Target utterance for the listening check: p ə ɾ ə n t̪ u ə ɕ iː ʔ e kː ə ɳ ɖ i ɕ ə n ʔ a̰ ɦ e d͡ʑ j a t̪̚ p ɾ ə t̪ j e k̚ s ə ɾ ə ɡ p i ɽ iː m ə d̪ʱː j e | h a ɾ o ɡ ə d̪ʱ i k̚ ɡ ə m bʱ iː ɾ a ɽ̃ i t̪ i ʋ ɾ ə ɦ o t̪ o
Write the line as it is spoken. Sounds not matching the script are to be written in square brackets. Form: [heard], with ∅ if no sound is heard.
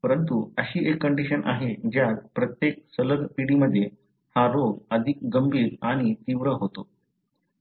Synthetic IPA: p ə ɾ ə n t̪ u ə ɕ iː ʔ e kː ə ɳ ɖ i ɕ ə n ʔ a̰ ɦ e d͡ʑ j a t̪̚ p ɾ ə t̪ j e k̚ s ə [l] ə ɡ p i ɽ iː m ə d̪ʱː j e | h a ɾ o ɡ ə d̪ʱ i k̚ ɡ ə m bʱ iː ɾ a ɽ̃ i t̪ i ʋ ɾ ə ɦ o t̪ o